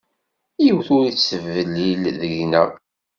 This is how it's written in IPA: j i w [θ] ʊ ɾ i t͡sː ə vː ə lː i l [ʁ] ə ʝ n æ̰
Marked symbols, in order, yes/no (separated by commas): yes, no